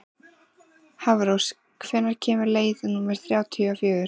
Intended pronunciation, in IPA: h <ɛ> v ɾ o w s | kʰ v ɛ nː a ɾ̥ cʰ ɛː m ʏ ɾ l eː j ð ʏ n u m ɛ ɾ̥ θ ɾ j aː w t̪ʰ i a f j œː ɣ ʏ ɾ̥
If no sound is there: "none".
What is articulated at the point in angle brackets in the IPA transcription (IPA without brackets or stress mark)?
a